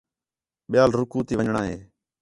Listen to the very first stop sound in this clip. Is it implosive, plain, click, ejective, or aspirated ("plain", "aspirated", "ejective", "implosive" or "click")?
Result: implosive